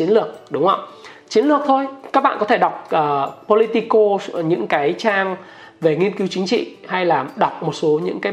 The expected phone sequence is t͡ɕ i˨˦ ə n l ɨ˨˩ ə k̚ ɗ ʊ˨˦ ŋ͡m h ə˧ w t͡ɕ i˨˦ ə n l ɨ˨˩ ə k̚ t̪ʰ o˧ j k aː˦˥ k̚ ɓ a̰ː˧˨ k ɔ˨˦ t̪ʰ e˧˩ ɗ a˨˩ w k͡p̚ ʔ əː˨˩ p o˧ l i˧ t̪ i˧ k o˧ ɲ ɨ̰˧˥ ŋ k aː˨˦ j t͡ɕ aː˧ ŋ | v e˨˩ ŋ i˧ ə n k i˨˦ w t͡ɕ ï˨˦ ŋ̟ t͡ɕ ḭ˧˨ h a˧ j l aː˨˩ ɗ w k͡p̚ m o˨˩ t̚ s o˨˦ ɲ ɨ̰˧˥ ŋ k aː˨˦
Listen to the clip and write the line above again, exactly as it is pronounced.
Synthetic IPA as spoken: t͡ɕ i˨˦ ə n l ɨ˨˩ ə k̚ ɗ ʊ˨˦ ŋ͡m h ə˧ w t͡ɕ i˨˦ ə n l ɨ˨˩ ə k̚ t̪ʰ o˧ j k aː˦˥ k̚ ɓ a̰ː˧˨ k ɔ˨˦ t̪ʰ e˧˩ ɗ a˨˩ w k͡p̚ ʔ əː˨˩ p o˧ l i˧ t̪ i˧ k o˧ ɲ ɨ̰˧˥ ŋ k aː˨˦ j t͡ɕ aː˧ ŋ | v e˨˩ ŋ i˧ ə n k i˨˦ w t͡ɕ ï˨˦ ŋ̟ t͡ɕ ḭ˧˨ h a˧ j l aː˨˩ ɗ w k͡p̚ m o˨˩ t̚ s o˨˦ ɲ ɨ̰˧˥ ŋ k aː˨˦